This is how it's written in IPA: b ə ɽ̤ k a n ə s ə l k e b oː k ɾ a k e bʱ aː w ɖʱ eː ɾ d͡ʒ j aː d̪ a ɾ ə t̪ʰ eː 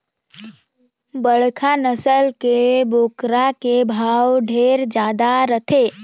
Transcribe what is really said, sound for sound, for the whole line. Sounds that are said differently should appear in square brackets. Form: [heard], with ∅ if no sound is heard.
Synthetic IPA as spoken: b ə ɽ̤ [kʰ] a n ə s ə l k e b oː k ɾ a k e bʱ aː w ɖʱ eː ɾ d͡ʒ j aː d̪ a ɾ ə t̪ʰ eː